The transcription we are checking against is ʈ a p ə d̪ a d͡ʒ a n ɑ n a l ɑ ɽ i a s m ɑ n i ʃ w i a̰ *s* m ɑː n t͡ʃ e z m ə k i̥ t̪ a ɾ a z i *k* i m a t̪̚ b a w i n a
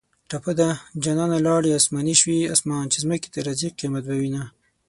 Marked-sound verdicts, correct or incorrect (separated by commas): correct, incorrect